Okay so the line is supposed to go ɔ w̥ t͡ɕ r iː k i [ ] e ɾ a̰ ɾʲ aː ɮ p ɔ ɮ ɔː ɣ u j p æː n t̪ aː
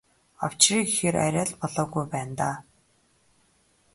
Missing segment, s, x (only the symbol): x